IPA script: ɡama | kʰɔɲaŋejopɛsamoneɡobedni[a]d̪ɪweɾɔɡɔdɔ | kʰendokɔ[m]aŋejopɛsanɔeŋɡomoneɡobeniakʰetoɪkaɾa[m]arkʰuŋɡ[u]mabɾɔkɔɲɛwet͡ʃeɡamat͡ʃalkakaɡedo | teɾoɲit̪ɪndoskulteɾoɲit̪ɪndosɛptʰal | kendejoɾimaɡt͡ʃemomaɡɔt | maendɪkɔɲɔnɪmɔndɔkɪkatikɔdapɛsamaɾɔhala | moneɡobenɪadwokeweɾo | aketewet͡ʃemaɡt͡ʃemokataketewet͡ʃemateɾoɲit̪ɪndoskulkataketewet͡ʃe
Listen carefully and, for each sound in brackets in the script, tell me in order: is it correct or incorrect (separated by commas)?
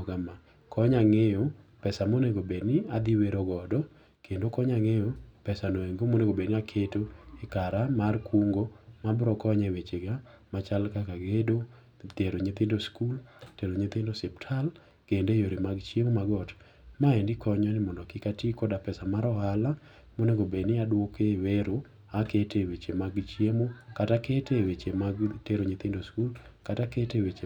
correct, incorrect, correct, incorrect